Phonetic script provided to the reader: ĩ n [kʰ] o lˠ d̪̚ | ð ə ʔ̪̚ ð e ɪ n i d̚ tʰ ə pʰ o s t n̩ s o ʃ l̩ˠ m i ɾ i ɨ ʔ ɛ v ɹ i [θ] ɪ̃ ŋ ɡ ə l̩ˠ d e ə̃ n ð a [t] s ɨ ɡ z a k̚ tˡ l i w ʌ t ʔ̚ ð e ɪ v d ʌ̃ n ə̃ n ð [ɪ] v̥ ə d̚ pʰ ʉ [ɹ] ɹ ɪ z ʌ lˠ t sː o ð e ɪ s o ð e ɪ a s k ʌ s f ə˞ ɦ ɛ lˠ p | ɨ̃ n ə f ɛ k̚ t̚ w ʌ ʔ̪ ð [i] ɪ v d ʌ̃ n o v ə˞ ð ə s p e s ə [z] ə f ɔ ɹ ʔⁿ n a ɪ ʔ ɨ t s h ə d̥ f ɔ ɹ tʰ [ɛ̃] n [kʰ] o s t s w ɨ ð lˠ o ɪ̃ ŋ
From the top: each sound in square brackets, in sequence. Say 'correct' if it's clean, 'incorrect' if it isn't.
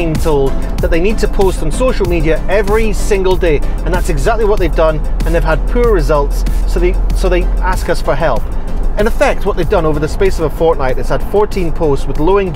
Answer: incorrect: tʰ, incorrect: s, correct, correct, correct, incorrect: e, incorrect: v, incorrect: ĩ, incorrect: pʰ

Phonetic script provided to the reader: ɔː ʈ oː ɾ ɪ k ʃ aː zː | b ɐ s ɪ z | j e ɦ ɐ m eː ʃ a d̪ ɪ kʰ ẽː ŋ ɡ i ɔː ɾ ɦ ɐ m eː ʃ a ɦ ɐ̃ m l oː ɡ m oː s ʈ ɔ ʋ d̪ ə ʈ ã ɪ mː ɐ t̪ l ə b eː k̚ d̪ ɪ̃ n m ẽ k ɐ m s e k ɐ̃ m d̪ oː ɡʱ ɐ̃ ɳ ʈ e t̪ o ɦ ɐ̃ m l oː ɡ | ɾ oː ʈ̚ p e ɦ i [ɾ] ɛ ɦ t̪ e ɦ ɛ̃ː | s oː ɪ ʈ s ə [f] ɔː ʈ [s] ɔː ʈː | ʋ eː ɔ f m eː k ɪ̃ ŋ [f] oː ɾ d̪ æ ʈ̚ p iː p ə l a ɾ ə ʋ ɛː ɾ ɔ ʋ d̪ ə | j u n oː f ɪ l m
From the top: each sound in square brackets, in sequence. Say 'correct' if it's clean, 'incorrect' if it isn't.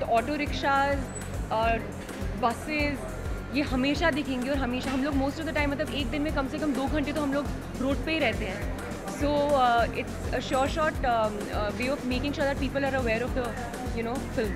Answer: correct, incorrect: ʃ, incorrect: ʃ, incorrect: ʃ

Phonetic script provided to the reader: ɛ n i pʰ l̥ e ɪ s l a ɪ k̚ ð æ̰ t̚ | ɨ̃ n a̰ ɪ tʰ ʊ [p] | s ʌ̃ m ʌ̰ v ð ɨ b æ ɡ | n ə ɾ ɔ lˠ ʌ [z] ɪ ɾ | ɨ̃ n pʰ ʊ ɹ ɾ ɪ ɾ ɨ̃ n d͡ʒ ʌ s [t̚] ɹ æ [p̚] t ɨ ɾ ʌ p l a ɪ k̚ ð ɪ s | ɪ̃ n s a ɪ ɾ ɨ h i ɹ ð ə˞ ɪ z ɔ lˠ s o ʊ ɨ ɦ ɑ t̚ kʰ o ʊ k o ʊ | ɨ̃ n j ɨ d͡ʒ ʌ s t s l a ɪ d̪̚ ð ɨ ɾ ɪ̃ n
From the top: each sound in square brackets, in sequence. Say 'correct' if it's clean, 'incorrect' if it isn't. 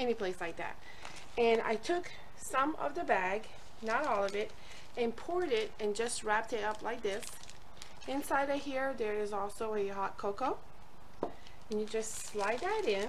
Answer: incorrect: k, incorrect: v, correct, correct

